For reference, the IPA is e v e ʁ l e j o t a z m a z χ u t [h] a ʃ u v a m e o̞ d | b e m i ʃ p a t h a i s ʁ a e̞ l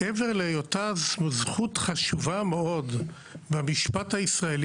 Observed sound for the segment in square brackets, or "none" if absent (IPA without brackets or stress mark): χ